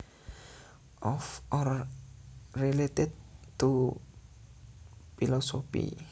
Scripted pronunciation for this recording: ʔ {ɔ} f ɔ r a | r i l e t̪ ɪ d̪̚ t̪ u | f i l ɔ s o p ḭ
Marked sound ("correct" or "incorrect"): correct